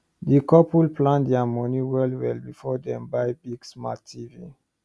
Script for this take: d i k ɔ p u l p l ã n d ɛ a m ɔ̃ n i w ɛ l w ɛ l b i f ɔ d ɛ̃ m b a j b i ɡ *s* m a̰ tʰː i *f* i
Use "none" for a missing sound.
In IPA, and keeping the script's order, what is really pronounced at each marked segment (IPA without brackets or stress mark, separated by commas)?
s, v